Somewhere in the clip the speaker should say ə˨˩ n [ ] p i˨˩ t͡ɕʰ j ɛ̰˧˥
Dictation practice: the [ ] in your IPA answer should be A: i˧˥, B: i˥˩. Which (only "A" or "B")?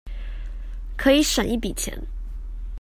B